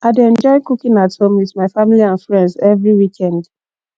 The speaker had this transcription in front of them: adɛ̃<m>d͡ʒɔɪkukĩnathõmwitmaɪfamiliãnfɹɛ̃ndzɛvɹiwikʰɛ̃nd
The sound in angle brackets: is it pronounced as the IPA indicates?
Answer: no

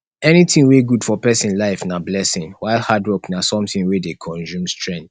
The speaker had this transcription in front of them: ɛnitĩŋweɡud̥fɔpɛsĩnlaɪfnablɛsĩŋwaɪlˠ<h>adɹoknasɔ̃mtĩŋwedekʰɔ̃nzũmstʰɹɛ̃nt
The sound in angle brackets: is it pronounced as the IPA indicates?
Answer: yes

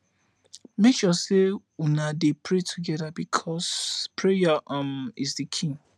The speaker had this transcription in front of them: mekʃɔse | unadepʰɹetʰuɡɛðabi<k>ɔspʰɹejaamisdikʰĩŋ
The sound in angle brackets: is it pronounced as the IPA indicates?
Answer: no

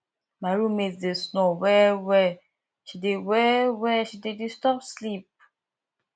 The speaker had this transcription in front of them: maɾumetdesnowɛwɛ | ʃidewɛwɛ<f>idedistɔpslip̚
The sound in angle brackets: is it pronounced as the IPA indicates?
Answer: no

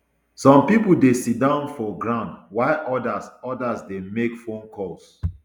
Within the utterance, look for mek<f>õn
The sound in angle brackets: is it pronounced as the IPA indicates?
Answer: yes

